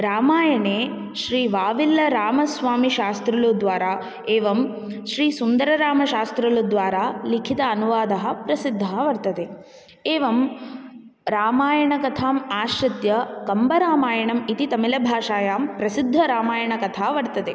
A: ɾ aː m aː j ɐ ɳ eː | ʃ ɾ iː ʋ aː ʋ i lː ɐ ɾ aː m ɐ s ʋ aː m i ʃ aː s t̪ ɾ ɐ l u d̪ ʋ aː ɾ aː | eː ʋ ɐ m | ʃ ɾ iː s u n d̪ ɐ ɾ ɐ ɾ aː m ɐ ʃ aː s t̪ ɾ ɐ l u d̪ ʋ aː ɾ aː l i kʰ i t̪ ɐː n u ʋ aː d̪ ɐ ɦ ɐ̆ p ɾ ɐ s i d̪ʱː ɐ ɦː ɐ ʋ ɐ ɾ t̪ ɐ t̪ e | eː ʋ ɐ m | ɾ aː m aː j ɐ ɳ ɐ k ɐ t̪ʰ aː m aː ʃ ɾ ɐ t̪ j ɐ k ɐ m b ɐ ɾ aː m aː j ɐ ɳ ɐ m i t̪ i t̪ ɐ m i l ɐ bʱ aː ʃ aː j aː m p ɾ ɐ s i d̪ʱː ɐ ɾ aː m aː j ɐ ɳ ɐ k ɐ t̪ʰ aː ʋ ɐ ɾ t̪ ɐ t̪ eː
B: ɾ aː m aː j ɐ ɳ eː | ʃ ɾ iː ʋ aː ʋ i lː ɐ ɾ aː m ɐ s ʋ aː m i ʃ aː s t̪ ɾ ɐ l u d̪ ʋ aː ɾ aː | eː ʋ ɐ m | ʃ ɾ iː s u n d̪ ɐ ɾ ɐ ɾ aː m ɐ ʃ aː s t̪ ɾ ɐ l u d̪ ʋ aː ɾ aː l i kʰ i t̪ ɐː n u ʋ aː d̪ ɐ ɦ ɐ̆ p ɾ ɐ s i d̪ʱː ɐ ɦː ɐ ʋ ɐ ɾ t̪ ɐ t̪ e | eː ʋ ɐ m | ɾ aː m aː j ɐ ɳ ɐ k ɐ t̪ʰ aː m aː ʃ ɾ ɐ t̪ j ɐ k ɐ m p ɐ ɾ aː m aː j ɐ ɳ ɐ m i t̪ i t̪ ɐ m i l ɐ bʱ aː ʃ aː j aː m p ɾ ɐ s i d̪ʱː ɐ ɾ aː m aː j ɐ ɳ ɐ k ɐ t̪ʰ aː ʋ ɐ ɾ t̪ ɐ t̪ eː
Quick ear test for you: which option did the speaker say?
A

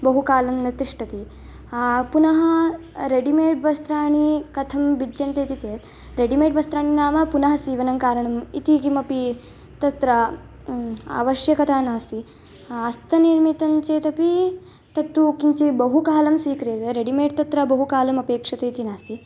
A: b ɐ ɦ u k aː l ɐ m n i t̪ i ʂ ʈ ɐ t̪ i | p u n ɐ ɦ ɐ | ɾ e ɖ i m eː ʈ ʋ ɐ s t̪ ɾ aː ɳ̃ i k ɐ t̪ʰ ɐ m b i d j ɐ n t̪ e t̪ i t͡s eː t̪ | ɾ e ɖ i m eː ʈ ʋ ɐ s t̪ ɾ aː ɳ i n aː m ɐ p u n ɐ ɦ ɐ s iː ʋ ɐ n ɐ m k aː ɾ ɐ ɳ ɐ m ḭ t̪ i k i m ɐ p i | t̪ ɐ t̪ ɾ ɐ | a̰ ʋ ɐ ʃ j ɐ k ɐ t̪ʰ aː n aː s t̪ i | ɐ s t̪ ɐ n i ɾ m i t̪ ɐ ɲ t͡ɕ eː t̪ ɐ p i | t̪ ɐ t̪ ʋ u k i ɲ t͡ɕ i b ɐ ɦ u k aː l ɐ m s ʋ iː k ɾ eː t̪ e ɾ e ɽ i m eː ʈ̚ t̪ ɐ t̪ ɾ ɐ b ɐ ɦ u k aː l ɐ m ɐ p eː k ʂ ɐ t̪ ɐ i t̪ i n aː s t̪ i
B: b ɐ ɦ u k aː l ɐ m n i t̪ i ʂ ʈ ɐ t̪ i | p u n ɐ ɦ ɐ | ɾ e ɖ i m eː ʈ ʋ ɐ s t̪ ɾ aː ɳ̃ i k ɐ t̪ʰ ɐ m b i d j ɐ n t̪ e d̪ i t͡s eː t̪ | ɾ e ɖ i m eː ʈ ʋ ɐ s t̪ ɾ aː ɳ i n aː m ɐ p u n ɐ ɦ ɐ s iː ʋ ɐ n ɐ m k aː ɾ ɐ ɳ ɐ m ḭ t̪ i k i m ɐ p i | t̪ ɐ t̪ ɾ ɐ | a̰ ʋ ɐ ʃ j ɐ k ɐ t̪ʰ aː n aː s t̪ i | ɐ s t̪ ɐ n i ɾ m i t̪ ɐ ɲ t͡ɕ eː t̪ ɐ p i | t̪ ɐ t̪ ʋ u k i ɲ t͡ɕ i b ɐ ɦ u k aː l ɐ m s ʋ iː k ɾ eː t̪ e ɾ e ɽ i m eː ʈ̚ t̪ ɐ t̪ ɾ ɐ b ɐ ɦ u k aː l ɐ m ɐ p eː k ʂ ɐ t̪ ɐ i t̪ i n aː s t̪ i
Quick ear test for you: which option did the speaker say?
A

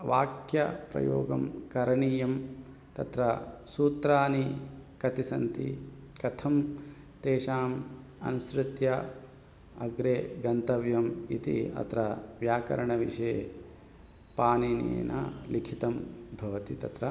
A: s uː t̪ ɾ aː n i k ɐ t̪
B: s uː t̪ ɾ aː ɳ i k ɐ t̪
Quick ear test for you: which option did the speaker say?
A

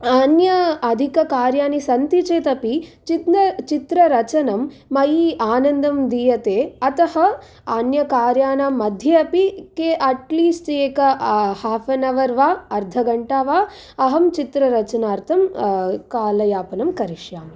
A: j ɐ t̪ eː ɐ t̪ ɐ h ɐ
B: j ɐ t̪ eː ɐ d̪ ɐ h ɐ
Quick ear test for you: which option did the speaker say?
A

